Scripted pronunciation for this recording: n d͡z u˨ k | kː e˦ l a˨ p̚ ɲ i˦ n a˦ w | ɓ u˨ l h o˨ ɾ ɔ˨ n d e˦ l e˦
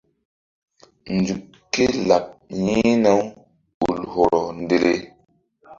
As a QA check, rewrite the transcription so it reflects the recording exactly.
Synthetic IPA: n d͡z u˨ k | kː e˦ l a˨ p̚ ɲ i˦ n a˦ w | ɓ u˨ l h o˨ ɾ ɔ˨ n d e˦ l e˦